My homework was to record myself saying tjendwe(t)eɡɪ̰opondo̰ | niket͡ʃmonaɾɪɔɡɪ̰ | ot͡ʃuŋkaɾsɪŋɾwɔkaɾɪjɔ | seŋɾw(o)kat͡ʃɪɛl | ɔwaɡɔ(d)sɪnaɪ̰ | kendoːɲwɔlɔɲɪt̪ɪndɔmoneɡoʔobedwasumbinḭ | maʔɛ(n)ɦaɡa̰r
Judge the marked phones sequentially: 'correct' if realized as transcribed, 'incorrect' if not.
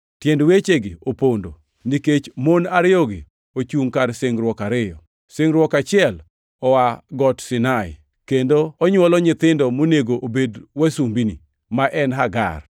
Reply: incorrect, incorrect, incorrect, correct

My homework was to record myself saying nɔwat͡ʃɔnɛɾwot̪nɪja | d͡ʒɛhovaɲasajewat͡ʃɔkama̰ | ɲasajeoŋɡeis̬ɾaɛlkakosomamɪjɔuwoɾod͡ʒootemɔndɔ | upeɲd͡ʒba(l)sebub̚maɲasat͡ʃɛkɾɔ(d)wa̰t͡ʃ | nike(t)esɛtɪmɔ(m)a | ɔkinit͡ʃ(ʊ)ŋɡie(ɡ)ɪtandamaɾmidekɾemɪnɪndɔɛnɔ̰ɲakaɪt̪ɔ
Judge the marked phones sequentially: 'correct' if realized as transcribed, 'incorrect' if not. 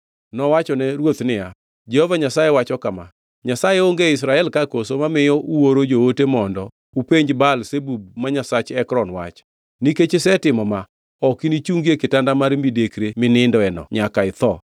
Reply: correct, incorrect, incorrect, correct, incorrect, incorrect

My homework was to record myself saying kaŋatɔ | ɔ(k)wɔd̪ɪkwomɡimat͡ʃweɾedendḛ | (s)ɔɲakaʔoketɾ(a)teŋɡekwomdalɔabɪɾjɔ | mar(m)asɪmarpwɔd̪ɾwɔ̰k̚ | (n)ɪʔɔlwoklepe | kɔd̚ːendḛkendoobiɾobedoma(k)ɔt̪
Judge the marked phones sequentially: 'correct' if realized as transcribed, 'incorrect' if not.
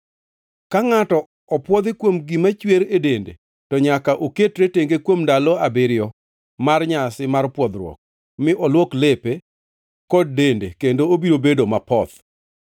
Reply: incorrect, incorrect, incorrect, incorrect, incorrect, incorrect

